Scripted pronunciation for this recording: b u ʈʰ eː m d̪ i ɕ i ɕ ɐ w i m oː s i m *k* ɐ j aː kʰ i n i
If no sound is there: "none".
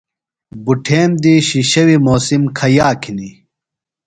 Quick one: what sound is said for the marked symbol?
kʰ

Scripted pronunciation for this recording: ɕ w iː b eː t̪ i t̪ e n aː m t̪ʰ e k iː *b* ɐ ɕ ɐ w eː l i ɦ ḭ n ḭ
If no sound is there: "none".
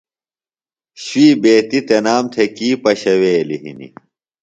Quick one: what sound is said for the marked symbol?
p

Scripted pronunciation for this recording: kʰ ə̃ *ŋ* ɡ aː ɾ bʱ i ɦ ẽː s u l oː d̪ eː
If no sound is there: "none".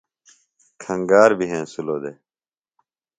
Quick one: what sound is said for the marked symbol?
ŋ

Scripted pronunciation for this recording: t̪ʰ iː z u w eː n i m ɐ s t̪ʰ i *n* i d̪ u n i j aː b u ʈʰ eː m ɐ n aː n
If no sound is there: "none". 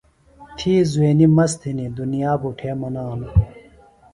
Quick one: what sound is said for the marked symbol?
n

